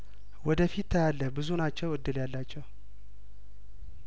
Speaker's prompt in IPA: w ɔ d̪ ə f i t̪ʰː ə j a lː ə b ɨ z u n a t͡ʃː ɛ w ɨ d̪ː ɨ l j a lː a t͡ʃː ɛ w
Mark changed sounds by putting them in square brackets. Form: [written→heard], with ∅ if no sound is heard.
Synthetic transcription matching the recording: w ɔ d̪ ə f i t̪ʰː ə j a lː ə b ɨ z u n a t͡ʃː ɛ w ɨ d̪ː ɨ l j a lː a t͡ʃː ɛ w